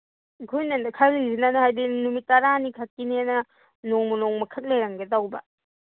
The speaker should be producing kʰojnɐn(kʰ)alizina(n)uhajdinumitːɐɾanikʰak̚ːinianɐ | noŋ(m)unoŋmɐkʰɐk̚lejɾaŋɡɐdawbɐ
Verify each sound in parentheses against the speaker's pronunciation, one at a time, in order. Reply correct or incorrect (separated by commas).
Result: correct, correct, correct